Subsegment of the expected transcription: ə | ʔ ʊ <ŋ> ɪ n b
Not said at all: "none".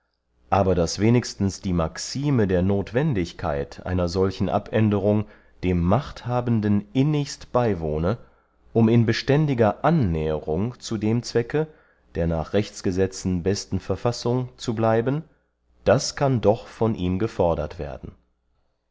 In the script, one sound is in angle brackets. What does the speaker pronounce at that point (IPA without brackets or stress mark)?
m